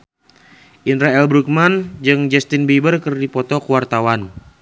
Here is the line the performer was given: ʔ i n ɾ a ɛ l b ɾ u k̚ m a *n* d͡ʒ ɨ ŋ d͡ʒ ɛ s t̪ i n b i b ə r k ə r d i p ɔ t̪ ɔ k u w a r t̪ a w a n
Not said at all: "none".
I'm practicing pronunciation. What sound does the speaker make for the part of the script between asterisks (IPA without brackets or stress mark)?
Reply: n